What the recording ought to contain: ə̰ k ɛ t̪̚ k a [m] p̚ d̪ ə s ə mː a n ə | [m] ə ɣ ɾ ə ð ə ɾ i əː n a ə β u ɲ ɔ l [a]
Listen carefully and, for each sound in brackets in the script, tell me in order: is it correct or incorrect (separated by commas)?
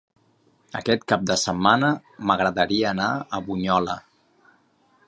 incorrect, correct, incorrect